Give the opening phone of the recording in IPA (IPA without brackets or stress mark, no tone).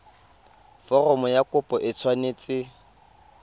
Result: f